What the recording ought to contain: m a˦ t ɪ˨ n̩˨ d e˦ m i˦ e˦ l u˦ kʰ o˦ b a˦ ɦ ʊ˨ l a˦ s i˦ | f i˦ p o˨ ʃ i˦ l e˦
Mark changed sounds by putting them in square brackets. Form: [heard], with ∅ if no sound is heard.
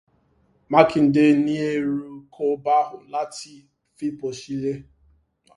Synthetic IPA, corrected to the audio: m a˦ [k] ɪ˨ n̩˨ d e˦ [n] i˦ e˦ [ɾ] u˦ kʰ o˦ b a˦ ɦ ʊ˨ l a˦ [t] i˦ | f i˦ p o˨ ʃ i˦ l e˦